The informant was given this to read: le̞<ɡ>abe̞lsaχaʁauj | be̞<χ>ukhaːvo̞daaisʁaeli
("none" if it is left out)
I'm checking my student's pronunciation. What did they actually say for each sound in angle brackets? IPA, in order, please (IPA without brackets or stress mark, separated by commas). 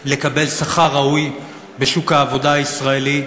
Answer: k, ʃ